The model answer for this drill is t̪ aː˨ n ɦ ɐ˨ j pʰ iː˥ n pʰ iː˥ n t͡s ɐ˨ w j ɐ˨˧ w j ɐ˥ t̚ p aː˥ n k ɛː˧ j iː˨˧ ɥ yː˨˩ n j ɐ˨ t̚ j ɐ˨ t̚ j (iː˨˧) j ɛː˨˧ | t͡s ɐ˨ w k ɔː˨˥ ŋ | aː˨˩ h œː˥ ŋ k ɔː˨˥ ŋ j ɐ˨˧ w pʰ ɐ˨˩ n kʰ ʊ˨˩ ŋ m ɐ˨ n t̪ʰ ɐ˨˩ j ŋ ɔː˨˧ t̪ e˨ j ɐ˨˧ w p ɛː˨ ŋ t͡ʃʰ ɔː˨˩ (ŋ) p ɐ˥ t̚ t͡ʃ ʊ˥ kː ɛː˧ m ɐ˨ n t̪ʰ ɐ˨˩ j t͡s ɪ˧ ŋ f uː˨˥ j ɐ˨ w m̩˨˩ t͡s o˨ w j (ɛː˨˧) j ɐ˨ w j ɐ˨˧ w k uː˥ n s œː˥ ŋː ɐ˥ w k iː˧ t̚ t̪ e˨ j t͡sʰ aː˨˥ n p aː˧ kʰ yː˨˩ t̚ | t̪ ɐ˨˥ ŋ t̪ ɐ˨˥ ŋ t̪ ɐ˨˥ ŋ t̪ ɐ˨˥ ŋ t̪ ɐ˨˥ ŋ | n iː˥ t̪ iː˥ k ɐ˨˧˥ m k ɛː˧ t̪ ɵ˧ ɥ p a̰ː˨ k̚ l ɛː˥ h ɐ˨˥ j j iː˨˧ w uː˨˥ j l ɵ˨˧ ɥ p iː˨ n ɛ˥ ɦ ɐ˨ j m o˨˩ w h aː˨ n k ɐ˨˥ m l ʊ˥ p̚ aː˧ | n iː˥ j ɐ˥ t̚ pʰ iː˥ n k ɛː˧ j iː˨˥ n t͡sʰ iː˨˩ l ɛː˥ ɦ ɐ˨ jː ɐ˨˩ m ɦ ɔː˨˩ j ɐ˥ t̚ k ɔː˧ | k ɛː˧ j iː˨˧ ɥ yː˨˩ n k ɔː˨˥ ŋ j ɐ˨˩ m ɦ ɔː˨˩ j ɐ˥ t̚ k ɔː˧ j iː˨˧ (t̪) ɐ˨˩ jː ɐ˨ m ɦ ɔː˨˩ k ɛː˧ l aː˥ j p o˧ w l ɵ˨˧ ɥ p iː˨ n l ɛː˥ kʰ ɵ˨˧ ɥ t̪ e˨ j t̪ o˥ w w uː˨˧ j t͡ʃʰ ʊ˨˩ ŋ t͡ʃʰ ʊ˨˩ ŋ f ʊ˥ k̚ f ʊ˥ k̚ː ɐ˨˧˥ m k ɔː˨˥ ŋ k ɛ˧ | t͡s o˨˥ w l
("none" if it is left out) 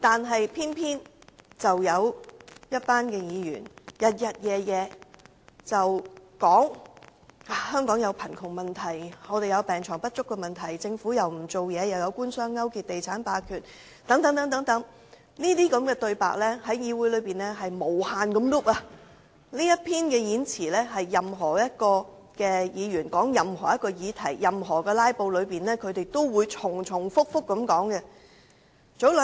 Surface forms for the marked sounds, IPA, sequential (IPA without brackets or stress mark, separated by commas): ɛː˨˧, ŋ, ɛː˨˧, t̪ʰ